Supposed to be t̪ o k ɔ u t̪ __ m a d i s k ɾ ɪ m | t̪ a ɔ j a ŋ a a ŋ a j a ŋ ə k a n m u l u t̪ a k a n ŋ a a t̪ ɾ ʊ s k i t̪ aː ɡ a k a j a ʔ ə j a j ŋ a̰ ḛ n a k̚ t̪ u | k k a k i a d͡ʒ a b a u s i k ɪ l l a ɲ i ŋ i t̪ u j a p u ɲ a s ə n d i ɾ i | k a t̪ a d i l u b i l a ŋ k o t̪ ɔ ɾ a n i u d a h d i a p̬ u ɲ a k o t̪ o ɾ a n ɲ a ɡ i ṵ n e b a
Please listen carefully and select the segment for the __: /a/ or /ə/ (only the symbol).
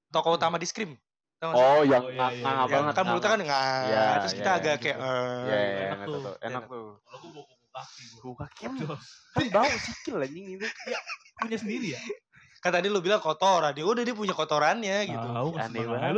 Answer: a